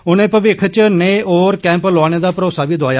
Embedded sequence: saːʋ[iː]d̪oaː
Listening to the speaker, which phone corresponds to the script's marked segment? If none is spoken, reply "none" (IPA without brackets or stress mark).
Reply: iː